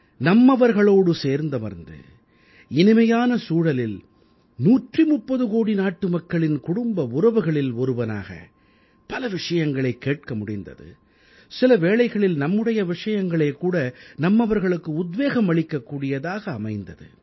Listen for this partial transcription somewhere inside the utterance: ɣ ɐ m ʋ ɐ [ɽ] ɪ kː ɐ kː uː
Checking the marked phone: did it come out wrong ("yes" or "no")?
yes